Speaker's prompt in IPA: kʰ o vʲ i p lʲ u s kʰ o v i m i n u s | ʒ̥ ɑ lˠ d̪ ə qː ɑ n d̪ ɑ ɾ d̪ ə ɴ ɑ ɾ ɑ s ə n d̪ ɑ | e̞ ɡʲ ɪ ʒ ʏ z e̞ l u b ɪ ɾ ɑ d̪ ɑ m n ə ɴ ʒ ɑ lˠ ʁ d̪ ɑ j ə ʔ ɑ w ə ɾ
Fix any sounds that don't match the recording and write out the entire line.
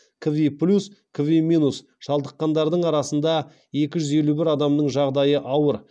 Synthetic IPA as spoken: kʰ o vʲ i p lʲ u s kʰ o v i m i n u s | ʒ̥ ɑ lˠ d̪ ə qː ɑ n d̪ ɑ ɾ d̪ ə ɴ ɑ ɾ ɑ s ə n d̪ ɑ | e̞ kʲ ɪ ʒ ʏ z e̞ l u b ɪ ɾ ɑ d̪ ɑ m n ə ɴ ʒ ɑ ʁ d̪ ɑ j ə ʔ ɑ w ə ɾ